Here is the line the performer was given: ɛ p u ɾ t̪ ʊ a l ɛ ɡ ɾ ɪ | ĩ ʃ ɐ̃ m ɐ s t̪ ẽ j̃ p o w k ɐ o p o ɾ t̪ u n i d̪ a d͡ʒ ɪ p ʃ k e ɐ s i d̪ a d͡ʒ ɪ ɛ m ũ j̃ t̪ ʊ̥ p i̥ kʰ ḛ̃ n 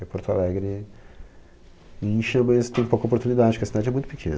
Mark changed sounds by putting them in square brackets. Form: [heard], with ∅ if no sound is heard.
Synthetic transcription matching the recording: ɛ p [o] ɾ t̪ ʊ a l ɛ ɡ ɾ ɪ | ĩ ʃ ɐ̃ m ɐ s t̪ ẽ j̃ p o w k ɐ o p o ɾ t̪ u n i d̪ a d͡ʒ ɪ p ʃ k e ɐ s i d̪ a d͡ʒ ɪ ɛ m ũ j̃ t̪ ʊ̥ p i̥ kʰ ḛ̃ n